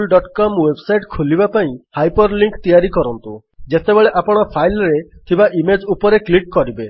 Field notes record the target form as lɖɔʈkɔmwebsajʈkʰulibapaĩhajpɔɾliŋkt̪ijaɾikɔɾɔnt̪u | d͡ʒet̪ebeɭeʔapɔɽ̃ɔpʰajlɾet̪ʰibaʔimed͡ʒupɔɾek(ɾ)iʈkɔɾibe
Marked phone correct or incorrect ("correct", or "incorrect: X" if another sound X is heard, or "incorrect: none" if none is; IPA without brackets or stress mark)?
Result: incorrect: l